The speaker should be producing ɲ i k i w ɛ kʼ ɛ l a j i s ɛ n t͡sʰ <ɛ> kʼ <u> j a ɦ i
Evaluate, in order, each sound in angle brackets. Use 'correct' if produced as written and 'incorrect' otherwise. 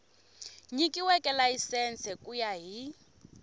correct, correct

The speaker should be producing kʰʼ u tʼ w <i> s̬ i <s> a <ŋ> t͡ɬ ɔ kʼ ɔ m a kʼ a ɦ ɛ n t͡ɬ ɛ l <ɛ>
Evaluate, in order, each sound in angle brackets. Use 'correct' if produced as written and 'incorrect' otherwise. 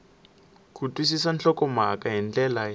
correct, correct, incorrect, incorrect

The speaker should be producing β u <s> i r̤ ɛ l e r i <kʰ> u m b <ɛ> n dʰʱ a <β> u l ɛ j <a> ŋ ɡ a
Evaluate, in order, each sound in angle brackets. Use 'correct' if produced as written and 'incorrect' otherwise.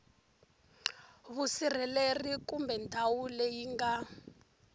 correct, incorrect, correct, incorrect, incorrect

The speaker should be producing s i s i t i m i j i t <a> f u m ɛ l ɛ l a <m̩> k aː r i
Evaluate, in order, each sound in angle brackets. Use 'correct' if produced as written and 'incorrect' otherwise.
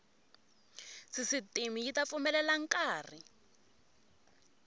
correct, incorrect

